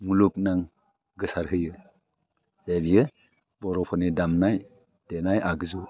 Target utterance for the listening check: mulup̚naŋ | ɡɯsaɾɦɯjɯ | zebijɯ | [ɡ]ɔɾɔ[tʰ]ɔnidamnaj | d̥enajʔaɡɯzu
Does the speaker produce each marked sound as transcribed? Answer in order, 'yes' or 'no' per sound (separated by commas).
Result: no, no